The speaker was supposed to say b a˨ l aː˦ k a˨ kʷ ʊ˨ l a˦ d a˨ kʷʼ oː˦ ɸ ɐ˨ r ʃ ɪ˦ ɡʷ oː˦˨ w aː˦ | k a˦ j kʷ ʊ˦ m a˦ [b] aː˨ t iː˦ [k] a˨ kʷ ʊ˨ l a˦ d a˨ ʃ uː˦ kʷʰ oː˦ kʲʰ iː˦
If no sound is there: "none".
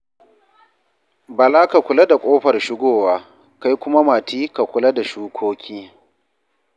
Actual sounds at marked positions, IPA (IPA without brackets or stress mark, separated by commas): m, k